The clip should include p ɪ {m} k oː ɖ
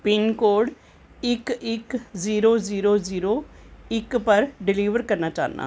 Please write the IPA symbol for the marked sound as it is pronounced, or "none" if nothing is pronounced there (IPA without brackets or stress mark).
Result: n